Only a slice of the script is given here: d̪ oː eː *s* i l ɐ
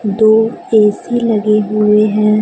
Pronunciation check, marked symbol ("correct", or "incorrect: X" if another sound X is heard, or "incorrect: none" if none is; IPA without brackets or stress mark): correct